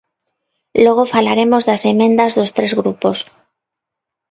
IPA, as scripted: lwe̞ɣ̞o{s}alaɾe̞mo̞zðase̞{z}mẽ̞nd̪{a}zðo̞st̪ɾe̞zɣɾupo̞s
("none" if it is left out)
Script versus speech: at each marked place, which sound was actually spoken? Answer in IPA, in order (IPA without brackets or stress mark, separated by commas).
f, none, a